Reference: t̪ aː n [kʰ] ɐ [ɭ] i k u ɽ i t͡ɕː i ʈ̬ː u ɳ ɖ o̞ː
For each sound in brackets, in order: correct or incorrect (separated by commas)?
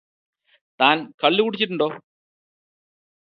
incorrect, incorrect